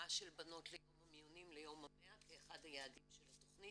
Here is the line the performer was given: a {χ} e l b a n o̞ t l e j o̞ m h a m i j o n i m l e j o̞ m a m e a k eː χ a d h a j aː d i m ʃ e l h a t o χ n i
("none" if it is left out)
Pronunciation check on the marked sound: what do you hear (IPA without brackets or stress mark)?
ʃ